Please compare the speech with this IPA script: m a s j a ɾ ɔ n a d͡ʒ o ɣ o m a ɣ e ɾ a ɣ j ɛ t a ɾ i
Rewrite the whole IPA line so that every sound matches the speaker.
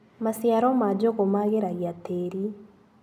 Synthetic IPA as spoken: m a s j a ɾ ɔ m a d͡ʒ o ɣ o m a ɣ e ɾ a ɣ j a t e ɾ i